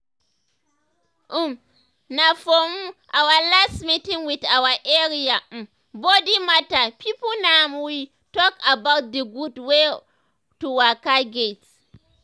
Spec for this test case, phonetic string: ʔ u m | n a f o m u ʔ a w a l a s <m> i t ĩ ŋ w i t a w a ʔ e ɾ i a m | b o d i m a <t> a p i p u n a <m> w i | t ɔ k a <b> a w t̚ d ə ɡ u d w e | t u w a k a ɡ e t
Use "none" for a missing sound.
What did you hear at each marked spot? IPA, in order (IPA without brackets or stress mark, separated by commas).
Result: m, t, m, b